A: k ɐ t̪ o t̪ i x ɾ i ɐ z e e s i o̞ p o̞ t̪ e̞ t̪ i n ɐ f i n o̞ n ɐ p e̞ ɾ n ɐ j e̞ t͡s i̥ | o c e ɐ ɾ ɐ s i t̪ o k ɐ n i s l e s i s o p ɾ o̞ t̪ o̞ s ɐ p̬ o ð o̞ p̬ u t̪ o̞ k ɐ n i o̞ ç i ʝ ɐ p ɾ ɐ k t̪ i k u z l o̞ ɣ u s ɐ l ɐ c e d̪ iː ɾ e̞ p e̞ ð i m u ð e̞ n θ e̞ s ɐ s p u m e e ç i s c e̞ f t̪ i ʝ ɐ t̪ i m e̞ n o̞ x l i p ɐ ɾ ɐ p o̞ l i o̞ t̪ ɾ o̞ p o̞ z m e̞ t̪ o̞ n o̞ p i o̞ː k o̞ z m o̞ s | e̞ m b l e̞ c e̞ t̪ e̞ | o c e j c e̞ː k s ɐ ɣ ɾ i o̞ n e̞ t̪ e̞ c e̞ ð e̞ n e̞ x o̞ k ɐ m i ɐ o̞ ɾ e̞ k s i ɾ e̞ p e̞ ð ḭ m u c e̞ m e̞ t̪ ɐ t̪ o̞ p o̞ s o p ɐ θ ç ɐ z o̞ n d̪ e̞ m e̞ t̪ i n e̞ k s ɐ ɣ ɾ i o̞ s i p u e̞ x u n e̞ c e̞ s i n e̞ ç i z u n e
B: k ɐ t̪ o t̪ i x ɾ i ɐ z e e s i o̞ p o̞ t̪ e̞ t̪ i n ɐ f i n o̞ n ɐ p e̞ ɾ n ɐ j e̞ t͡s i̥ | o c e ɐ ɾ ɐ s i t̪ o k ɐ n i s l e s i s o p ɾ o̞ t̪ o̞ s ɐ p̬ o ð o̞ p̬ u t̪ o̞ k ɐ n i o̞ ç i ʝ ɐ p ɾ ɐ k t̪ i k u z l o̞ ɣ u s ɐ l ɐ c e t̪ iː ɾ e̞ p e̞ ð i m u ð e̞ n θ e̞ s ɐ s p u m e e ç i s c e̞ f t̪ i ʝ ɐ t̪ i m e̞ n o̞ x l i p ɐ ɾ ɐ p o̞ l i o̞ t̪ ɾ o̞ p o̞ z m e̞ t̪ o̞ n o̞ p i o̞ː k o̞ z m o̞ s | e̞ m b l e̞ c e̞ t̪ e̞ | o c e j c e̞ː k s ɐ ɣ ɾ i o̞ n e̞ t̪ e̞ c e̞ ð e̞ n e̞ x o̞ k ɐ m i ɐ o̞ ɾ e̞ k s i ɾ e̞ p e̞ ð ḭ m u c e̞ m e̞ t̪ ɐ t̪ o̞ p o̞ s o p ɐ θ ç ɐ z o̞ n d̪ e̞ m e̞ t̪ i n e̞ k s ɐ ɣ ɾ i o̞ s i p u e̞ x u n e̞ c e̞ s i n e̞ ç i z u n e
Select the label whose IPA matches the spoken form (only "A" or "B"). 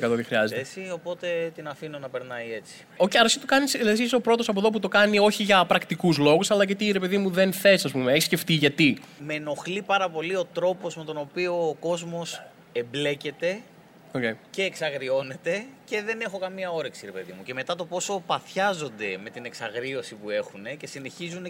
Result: B